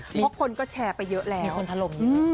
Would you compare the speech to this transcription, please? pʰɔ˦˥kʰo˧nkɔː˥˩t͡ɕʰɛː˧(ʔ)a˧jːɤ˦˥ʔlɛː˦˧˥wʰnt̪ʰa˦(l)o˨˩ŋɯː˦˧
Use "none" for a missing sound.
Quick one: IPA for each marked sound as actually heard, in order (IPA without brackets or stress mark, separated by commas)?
p, l